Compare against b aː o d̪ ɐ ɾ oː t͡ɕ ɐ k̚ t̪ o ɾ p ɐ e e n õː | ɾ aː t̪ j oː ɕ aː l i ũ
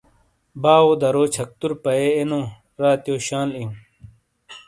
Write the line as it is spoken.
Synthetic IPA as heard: b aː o d̪ ɐ ɾ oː t͡ɕʰ ɐ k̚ t̪ u ɾ p ɐ e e n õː | ɾ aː t̪ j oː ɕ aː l i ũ